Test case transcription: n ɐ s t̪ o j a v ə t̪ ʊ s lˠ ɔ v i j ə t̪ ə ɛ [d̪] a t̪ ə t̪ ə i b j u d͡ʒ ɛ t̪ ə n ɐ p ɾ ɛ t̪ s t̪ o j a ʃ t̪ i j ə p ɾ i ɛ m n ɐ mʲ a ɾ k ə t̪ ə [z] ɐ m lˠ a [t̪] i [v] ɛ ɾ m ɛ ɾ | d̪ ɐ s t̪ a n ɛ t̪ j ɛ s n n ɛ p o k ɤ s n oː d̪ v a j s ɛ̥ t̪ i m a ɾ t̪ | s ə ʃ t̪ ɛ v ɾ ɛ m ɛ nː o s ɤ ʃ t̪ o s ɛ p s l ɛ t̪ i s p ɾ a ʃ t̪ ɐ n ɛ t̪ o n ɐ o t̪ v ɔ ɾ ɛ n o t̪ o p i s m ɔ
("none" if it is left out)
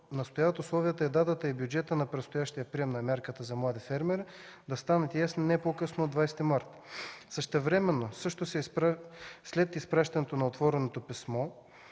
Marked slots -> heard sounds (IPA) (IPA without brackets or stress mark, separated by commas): d̪, z, d̪, f